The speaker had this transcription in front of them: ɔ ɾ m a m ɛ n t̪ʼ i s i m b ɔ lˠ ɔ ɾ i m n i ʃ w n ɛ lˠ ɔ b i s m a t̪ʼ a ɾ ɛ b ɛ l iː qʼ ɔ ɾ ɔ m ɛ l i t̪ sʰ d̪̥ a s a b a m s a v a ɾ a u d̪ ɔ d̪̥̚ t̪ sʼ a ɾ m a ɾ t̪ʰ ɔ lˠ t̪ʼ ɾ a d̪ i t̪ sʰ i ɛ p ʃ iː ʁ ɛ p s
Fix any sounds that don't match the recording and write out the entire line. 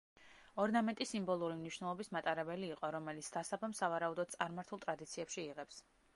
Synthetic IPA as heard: ɔ ɾ n a m ɛ n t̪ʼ i s i m b ɔ lˠ u ɾ i m n i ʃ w n ɛ lˠ ɔ b i s m a t̪ʼ a ɾ ɛ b ɛ l iː qʼ ɔ ɾ ɔ m ɛ l i t̪ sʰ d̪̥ a s a b a m s a v a ɾ a u d̪ ɔ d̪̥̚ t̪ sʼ a ɾ m a ɾ t̪ʰ u lˠ t̪ʼ ɾ a d̪ i t̪ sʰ i ɛ p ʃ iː ʁ ɛ p s